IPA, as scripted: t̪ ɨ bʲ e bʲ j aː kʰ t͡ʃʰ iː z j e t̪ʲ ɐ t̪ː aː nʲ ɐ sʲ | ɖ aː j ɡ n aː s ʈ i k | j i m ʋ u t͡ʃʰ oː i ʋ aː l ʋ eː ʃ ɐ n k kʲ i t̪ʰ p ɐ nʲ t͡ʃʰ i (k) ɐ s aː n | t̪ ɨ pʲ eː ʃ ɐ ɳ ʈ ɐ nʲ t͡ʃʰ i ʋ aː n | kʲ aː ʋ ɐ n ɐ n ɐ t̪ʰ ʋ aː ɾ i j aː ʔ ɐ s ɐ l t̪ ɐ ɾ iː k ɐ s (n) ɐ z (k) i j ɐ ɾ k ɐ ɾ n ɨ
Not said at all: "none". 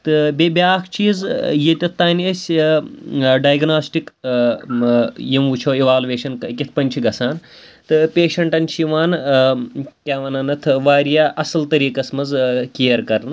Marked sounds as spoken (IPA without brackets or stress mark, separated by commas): ɡ, m, k